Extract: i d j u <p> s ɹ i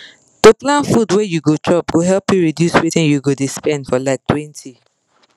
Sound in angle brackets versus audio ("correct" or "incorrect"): incorrect